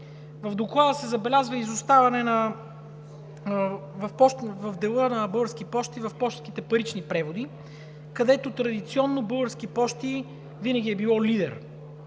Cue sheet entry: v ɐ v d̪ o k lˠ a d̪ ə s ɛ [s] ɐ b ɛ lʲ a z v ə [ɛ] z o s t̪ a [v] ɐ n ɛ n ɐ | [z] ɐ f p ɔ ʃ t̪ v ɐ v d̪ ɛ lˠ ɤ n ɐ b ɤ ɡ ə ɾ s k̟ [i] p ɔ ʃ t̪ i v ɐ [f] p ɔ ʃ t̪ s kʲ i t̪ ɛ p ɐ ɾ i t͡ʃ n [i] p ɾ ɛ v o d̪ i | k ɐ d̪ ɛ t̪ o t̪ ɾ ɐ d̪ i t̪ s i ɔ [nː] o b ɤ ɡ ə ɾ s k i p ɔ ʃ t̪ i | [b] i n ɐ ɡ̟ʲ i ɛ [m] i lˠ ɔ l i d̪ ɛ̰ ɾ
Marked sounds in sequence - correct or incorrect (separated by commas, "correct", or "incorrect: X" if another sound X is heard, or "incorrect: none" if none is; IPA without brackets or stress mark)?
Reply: incorrect: z, incorrect: i, correct, incorrect: v, correct, correct, correct, correct, incorrect: v, incorrect: b